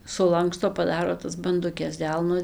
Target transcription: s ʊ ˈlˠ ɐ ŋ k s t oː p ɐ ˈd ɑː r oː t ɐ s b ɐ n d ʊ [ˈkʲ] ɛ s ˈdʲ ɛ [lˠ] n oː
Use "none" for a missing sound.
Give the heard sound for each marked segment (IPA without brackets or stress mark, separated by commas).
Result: kʲ, lˠ